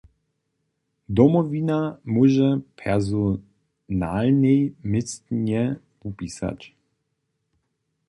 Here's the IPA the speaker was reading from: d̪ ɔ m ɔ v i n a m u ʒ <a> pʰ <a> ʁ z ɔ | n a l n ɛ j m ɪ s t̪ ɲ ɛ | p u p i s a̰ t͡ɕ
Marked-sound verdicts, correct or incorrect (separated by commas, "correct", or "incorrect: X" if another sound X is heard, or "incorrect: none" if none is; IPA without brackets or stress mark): incorrect: ɛ, incorrect: ɛ